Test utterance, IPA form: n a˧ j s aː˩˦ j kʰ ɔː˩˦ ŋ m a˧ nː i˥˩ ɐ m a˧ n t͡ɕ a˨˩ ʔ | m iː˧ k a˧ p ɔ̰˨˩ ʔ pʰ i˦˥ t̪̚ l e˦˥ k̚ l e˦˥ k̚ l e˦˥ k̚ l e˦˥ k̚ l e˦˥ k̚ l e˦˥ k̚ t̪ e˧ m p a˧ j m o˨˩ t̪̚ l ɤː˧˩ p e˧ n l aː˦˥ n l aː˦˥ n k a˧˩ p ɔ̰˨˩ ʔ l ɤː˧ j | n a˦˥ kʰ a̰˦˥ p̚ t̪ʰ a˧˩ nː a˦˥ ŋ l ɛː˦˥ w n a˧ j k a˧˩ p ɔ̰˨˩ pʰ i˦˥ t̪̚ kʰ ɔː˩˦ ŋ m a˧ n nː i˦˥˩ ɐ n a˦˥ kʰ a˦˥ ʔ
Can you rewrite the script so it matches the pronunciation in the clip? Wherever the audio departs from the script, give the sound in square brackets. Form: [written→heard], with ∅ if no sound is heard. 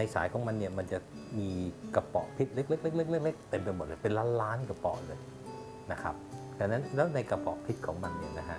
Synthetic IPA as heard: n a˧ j s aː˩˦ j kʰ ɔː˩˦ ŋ m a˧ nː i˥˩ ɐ m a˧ n t͡ɕ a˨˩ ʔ | m iː˧ k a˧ p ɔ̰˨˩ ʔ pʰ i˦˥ t̪̚ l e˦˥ k̚ l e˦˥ k̚ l e˦˥ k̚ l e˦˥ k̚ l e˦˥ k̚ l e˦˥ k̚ t̪ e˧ m p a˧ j m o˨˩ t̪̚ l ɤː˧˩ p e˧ n l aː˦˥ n l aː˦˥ n k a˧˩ p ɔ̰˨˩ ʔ l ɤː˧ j | n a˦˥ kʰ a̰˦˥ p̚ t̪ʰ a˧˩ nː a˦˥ [ŋ→n] l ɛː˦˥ w n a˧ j k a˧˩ p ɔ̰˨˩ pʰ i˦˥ t̪̚ kʰ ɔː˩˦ ŋ m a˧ n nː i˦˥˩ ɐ n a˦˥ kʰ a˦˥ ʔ